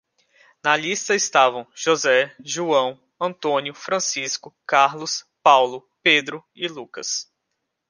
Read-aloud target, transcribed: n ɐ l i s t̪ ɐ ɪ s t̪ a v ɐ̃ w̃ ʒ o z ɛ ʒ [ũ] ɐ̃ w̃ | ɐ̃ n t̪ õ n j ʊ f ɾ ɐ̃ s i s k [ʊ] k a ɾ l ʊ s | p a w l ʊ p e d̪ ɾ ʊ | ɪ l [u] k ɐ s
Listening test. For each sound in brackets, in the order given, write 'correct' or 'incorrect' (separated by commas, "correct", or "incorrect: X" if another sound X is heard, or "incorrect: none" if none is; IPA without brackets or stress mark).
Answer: incorrect: u, correct, correct